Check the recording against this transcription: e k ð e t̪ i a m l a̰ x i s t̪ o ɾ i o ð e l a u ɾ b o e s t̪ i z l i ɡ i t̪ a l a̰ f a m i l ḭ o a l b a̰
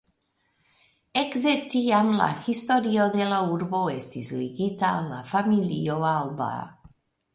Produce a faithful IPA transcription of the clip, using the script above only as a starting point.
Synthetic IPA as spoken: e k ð e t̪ i a m l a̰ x i s t̪ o ɾ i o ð e l a u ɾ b o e s t̪ i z l i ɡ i t̪ a l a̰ f a m i l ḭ o a l b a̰